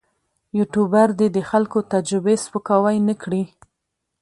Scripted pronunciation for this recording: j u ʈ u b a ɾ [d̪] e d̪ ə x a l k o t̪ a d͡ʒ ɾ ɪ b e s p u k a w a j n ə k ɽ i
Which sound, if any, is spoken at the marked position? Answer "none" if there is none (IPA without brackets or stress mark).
d̪